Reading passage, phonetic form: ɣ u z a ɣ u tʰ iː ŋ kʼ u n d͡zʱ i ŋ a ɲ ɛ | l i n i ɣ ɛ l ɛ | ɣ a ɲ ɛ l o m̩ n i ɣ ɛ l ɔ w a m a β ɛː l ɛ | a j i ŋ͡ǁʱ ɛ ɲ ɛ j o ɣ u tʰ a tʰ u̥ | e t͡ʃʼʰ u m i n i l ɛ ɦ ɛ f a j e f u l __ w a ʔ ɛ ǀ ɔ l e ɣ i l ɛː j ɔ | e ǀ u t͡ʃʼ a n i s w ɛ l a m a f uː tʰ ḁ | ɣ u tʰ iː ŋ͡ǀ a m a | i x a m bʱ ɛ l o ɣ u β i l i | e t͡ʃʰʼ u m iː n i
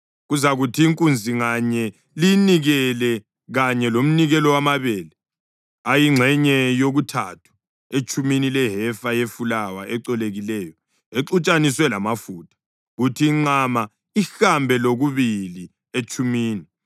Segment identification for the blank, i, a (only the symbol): a